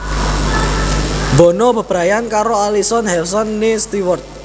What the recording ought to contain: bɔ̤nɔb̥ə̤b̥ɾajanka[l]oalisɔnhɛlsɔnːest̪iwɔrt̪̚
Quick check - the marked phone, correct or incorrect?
incorrect